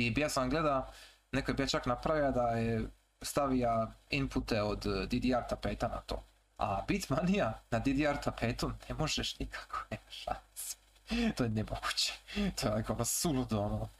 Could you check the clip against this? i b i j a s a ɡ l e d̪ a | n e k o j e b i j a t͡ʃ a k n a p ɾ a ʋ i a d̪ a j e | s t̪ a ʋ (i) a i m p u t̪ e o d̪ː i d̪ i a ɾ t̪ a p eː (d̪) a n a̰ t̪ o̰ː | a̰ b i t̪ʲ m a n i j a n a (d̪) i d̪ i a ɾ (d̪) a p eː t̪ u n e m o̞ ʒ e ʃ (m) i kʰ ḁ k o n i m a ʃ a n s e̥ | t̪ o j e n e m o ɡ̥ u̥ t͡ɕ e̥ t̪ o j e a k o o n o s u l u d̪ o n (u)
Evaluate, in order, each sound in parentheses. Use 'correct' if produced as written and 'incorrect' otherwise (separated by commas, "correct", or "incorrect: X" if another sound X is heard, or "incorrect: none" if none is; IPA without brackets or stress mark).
correct, incorrect: t̪, correct, incorrect: t̪, incorrect: n, incorrect: o